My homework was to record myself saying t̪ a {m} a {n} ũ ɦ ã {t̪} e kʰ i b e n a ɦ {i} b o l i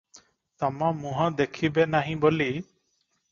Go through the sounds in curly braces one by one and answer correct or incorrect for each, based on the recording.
correct, incorrect: m, incorrect: d̪, incorrect: ĩ

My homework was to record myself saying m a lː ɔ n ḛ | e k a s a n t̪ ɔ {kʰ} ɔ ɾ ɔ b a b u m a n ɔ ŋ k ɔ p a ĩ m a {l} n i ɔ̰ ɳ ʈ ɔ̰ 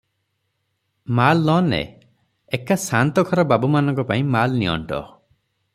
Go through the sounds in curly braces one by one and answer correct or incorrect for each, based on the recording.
correct, correct

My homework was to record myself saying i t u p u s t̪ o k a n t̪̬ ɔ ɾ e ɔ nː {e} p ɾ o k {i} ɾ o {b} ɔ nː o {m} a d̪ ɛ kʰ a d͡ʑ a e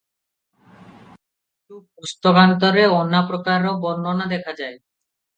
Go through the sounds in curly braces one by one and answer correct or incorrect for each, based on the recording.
incorrect: a, incorrect: a, correct, incorrect: n

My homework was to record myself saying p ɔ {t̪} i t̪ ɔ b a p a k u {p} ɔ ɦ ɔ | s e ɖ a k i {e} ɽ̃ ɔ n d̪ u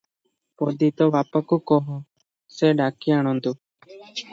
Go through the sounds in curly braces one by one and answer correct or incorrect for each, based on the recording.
incorrect: d̪, incorrect: k, incorrect: a

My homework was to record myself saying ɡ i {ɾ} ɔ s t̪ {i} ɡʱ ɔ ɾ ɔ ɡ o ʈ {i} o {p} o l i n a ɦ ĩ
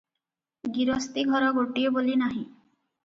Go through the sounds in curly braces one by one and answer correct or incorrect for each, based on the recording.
correct, correct, correct, incorrect: b

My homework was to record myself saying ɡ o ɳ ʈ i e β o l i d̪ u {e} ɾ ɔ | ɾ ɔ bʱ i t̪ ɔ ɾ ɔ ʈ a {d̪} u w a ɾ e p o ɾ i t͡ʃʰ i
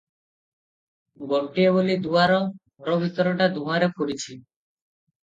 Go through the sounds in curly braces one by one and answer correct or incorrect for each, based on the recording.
incorrect: a, correct

